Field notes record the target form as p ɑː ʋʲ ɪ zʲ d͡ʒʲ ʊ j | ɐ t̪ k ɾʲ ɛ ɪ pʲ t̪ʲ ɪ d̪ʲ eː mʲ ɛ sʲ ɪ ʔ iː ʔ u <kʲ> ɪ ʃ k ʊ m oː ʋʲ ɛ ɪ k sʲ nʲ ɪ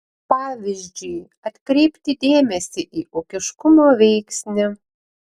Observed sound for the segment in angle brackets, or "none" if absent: kʲ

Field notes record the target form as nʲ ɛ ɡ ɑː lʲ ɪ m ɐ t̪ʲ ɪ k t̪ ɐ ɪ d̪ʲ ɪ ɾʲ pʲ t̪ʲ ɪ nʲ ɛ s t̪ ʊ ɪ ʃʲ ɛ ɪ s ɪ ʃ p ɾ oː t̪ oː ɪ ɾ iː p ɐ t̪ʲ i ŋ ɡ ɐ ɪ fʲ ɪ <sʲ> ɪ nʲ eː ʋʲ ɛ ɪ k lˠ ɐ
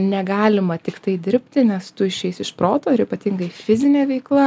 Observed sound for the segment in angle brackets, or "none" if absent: zʲ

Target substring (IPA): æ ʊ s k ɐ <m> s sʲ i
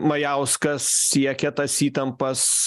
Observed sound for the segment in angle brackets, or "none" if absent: none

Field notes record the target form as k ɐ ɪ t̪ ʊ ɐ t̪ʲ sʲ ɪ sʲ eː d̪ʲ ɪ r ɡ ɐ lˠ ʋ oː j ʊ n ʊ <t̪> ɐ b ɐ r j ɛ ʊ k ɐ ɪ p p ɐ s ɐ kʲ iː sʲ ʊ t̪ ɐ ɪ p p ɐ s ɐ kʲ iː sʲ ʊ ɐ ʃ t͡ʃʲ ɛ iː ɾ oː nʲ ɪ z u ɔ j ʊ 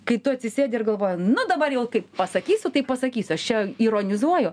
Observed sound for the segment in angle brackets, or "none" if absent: d̪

